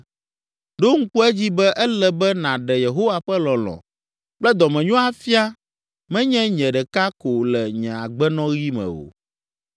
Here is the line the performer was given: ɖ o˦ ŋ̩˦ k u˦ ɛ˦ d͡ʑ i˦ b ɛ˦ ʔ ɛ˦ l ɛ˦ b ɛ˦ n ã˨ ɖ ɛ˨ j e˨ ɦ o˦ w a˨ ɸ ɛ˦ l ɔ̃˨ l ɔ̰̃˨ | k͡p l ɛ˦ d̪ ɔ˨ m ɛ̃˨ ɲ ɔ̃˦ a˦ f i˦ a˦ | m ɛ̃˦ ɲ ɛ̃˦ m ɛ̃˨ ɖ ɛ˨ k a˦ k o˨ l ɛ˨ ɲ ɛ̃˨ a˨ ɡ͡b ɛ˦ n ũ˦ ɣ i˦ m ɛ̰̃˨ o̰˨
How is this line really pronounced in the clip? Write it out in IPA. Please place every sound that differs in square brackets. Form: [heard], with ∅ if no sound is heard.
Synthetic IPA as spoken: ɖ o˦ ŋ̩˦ k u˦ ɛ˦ d͡ʑ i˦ b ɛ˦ ʔ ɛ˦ l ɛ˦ b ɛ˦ n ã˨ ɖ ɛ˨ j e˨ ɦ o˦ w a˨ ɸ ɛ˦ l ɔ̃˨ l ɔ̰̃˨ | k͡p l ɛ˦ d̪ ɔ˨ m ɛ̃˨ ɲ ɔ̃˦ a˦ f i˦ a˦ | m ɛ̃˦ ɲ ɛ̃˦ [ɲ] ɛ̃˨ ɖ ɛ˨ k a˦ k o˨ l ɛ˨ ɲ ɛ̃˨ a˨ ɡ͡b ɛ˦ n [ɔ̃˦] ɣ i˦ m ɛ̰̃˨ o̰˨